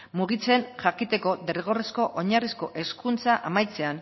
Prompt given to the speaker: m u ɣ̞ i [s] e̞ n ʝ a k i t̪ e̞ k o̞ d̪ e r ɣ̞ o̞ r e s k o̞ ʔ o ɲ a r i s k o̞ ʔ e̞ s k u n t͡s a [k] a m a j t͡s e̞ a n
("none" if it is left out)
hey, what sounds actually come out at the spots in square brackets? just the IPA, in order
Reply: t͡s, ʔ

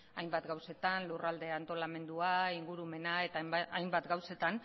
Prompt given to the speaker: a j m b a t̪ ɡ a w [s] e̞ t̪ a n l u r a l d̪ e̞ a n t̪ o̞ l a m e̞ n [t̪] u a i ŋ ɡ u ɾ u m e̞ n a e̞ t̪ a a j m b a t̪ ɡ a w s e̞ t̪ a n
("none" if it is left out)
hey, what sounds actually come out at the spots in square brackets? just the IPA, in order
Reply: s, d̪

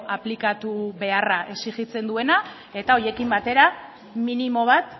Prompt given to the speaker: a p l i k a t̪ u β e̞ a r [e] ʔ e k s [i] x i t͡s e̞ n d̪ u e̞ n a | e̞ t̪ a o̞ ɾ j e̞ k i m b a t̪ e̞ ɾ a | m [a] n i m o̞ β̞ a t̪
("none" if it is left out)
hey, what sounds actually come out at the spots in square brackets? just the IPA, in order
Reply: a, i, i

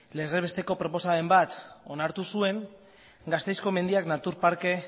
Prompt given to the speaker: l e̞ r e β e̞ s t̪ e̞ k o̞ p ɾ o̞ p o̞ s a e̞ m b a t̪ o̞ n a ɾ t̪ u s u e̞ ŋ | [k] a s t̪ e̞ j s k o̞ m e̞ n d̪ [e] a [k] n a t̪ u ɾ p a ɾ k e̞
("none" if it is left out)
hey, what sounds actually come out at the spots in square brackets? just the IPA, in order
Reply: ɡ, i, k

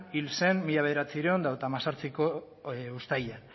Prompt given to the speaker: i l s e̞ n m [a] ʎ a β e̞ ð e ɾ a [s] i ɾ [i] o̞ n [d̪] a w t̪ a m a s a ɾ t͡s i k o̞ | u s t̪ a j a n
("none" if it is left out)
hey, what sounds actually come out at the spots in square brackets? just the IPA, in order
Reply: i, t͡s, e, d̪

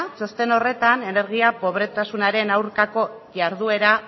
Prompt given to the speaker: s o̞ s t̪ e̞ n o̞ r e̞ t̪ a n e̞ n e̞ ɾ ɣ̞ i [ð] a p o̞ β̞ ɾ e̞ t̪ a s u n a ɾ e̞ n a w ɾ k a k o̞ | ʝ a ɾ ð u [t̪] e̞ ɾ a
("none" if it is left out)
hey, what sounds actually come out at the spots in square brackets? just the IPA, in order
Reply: none, none

